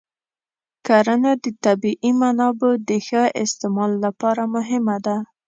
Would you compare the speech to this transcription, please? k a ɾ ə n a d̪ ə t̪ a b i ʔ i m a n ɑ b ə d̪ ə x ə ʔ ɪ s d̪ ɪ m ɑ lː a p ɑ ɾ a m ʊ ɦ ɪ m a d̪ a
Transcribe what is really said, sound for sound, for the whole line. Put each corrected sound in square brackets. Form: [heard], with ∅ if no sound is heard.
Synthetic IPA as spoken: k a ɾ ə n a d̪ ə t̪ a b i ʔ i m a n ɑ b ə d̪ ə x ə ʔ ɪ s [t̪] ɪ m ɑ lː a p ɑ ɾ a m ʊ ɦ ɪ m a d̪ a

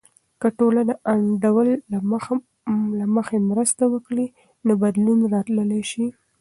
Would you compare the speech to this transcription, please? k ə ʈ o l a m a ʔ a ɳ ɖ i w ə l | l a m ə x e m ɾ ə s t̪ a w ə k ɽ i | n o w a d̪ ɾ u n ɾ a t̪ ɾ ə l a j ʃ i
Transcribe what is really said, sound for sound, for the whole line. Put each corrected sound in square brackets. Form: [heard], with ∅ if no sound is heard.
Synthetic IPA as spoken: k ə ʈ o l a [n] a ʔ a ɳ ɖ [a] w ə l | l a m ə x e m ɾ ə s t̪ a w ə k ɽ i | n o [b] a d̪ [l] u n ɾ [ɑ] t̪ [l] ə l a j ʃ i

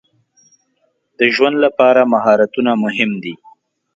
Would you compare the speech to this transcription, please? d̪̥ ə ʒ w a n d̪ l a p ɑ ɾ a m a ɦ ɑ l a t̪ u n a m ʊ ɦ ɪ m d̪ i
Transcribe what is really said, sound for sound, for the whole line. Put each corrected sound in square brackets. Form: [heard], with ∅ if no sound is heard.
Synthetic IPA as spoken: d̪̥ ə ʒ w a n d̪ l a p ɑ ɾ a m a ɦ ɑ [ɾ] a t̪ u n a m ʊ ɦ ɪ m d̪ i

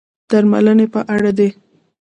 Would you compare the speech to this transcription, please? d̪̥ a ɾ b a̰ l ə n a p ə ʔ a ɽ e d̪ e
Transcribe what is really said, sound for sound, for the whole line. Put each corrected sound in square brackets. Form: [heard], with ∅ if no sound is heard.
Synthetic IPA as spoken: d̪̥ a ɾ [m] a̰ l ə n [e] p ə ʔ a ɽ [a] d̪ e

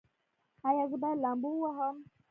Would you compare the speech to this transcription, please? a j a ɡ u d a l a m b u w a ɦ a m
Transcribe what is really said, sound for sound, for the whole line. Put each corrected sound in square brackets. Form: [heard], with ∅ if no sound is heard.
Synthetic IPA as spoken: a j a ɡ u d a l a m b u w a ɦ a m

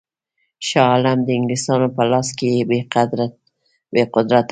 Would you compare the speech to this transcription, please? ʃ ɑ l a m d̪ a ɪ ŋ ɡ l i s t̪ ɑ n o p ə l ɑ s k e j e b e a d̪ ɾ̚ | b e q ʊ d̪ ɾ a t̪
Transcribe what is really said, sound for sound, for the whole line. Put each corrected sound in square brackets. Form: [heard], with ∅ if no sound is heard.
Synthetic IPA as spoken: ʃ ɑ l a m d̪ [ə] ɪ ŋ ɡ l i s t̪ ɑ n o p ə l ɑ s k e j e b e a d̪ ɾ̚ | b e q ʊ d̪ ɾ a t̪

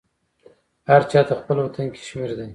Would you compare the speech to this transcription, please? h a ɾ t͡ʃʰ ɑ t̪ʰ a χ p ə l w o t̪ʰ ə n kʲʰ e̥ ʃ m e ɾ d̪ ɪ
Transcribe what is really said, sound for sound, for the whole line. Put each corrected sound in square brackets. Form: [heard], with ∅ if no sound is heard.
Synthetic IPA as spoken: h a ɾ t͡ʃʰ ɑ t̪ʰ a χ p ə l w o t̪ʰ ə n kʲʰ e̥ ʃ m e ɾ d̪ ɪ

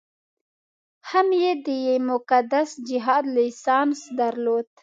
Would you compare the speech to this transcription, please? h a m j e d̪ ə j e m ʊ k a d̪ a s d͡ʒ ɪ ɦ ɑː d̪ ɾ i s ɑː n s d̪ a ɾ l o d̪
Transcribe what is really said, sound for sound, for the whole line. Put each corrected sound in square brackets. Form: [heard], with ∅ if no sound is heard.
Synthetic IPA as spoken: h a m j e d̪ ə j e m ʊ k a d̪ a s d͡ʒ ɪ ɦ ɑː d̪ [l] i s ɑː n s d̪ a ɾ l o d̪

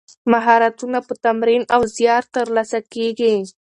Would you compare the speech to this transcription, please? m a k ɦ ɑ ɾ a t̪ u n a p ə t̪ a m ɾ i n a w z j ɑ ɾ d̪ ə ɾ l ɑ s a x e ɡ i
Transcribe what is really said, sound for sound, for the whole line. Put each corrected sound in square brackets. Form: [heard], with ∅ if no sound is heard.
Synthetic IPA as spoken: m a [∅] ɦ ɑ ɾ a t̪ u n a p ə t̪ a m ɾ i n a w z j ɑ ɾ [t̪] ə ɾ l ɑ s a [k] e ɡ i

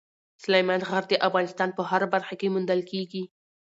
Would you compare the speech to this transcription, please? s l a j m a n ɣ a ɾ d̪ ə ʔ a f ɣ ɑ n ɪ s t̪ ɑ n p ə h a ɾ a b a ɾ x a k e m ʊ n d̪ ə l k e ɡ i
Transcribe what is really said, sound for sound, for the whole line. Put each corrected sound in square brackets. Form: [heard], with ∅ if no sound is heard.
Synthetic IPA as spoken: s l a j m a n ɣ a ɾ d̪ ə ʔ a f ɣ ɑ n ɪ s t̪ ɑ n p ə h a ɾ a b a ɾ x a k e m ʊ n d̪ ə l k e ɡ i

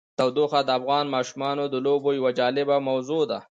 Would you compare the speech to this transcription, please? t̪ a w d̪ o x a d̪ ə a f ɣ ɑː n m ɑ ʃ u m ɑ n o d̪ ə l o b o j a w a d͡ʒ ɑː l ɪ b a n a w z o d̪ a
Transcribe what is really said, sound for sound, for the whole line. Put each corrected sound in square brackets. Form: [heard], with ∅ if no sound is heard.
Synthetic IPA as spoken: t̪ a w d̪ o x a d̪ ə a f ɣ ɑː n m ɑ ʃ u m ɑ n o d̪ ə l o b o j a w a d͡ʒ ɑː l ɪ b a [m] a w z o d̪ a

